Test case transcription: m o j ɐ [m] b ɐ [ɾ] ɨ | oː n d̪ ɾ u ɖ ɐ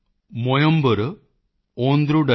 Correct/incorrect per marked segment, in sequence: correct, correct

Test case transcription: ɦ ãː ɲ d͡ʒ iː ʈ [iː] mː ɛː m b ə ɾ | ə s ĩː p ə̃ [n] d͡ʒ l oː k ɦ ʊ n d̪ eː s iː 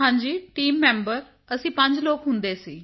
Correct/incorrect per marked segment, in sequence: correct, incorrect: ɲ

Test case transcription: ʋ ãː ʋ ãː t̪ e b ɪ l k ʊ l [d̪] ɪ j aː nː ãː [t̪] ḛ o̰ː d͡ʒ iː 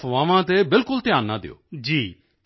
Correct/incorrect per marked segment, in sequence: incorrect: t̪, incorrect: d̪

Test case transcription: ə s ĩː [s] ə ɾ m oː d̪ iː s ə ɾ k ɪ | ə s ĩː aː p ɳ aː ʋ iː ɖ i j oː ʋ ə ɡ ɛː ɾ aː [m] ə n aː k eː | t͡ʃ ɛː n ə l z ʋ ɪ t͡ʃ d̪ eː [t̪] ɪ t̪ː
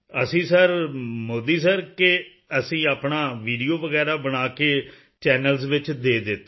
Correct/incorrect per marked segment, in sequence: correct, incorrect: b, incorrect: d̪

